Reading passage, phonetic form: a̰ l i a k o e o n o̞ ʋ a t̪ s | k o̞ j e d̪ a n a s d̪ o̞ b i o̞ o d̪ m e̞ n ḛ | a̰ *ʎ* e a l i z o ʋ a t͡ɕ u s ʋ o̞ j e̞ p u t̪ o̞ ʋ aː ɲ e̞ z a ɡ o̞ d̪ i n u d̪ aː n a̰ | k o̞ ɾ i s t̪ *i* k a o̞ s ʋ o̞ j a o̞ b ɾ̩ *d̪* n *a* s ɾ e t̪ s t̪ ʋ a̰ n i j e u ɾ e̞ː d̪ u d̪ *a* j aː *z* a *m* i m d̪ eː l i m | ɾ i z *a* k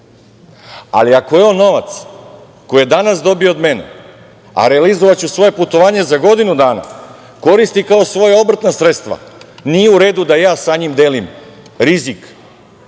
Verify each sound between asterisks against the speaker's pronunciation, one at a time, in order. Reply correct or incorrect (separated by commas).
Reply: incorrect, correct, incorrect, correct, correct, incorrect, incorrect, incorrect